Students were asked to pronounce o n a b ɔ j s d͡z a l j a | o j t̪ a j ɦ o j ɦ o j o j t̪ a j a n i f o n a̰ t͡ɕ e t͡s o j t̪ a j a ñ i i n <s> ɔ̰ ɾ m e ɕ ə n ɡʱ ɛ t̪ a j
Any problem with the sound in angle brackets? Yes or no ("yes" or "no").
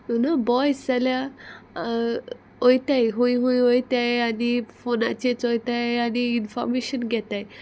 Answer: yes